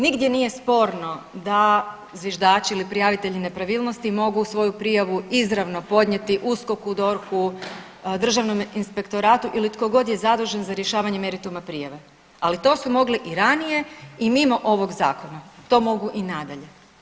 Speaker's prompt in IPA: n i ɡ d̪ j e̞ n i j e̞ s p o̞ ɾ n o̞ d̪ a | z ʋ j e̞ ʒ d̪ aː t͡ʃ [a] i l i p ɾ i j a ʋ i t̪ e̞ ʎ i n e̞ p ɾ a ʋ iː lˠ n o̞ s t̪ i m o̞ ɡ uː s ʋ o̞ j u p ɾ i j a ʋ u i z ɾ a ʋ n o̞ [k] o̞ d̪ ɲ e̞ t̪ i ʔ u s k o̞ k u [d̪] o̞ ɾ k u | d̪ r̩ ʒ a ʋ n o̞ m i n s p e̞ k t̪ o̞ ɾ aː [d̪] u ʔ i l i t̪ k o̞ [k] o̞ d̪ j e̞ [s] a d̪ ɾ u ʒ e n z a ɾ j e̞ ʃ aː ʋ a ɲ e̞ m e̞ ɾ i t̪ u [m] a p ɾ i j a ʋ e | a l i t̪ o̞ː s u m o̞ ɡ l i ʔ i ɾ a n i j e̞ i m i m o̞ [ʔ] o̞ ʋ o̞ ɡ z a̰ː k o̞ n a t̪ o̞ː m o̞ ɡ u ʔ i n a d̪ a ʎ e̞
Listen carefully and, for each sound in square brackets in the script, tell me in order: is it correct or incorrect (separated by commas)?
incorrect, incorrect, correct, incorrect, incorrect, incorrect, correct, correct